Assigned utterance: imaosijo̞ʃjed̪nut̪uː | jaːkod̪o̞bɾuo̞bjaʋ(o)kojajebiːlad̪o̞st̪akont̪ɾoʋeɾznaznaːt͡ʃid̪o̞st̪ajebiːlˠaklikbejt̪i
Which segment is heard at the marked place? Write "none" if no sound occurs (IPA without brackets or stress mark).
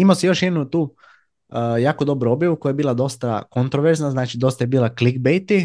u